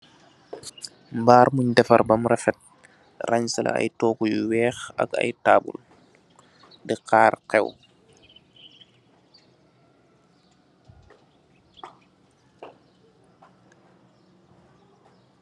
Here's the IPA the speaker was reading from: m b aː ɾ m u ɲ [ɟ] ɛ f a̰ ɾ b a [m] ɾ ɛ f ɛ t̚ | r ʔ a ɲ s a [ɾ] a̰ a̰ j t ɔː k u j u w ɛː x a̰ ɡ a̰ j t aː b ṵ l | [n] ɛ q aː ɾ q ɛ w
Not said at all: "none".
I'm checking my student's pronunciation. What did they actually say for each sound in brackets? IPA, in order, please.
d, m, l, d

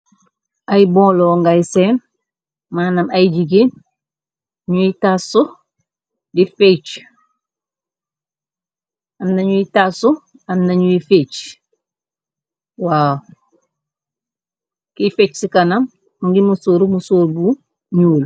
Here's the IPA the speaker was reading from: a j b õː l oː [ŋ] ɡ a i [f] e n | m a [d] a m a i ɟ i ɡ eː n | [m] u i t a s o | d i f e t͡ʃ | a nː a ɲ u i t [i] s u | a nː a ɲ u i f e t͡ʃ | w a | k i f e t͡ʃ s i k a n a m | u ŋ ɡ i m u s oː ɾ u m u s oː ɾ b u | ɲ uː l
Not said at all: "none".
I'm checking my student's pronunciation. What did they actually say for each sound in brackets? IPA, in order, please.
ŋ, s, n, ɲ, a

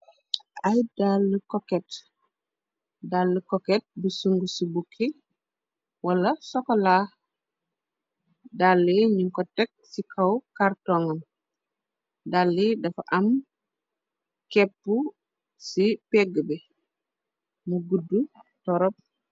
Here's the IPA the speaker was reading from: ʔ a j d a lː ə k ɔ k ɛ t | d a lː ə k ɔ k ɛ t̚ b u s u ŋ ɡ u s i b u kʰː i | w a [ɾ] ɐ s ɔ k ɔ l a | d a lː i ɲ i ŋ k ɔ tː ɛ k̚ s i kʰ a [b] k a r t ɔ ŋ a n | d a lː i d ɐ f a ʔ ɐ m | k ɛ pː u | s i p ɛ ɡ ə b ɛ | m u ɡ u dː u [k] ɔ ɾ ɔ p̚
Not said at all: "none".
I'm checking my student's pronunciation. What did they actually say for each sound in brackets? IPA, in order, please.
l, w, t

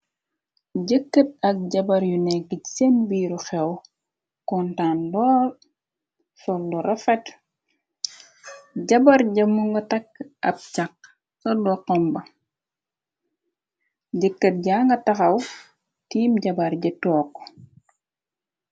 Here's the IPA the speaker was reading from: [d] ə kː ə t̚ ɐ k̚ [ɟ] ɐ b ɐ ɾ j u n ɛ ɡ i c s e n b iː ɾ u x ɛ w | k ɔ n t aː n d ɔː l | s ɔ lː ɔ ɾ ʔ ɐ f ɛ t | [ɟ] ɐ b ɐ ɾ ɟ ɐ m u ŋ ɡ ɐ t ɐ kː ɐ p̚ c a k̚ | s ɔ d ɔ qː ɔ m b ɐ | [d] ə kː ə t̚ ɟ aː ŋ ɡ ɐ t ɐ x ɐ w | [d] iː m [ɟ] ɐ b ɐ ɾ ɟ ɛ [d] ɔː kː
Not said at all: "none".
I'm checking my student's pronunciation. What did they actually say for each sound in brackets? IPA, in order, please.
ɟ, ɟ, ɟ, ɟ, t, ɟ, t

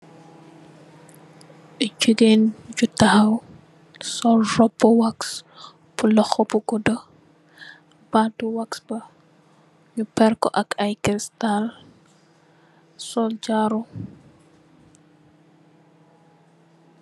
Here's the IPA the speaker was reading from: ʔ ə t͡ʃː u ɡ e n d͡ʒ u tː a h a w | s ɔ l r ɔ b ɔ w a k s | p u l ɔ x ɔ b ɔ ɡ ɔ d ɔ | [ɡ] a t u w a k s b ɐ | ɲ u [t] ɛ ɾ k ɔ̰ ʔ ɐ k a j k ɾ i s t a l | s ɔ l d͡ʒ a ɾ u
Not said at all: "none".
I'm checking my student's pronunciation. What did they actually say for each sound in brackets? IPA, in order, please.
b, p

